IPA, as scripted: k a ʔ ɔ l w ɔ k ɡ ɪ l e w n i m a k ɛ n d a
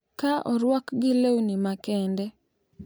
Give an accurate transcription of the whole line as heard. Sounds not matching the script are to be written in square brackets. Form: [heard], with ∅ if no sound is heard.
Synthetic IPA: k a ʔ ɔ [ɾ] w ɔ k ɡ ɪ l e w n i m a k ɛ n d [ɛ]